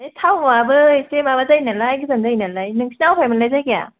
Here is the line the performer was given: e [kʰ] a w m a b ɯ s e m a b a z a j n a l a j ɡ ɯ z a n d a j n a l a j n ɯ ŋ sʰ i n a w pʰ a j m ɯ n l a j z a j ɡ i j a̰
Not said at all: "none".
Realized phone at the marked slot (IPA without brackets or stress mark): tʰ